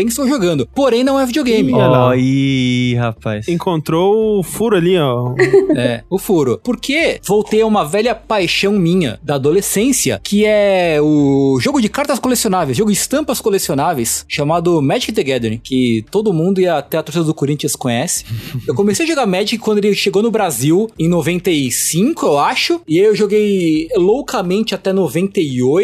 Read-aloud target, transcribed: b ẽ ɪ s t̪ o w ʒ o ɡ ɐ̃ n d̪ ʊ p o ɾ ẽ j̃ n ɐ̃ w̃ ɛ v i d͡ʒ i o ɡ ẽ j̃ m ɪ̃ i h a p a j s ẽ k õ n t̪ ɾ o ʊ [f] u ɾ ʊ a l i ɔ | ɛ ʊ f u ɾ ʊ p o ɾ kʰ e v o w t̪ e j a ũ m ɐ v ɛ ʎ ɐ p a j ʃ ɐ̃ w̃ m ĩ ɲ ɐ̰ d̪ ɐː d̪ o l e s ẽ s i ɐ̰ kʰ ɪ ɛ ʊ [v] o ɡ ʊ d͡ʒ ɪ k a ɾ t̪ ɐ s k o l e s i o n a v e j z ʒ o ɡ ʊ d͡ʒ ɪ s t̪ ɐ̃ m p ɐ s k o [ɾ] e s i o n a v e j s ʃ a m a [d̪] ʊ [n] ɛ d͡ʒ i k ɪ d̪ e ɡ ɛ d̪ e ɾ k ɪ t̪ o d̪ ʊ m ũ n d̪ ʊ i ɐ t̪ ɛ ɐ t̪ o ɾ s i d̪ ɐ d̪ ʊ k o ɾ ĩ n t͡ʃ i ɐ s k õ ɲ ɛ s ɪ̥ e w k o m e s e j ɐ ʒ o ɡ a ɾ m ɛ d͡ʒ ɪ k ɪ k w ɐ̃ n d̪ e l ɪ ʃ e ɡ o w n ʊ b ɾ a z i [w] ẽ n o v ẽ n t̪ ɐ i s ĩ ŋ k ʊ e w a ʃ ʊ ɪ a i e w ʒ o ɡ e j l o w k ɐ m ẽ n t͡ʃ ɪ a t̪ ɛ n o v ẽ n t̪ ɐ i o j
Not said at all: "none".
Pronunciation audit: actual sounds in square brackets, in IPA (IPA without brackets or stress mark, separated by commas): f, ʒ, l, d̪, m, w